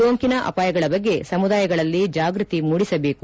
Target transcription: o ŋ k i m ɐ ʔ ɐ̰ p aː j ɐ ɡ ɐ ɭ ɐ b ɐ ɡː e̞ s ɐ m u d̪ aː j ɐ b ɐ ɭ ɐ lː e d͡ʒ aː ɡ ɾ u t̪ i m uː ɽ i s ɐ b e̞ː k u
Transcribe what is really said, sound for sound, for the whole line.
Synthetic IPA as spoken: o ŋ k i n ɐ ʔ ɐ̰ p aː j ɐ ɡ ɐ ɭ ɐ b ɐ ɡː e̞ s ɐ m u d̪ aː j ɐ ɡ ɐ ɭ ɐ lː i d͡ʒ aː ɡ ɾ u t̪ i m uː ɽ i s ɐ b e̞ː k u